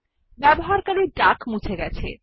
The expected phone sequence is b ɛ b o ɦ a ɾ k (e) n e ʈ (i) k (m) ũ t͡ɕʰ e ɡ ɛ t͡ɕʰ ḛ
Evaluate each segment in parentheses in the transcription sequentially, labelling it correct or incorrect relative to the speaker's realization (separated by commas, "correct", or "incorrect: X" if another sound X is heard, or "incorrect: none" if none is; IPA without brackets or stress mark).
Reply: incorrect: a, incorrect: a, correct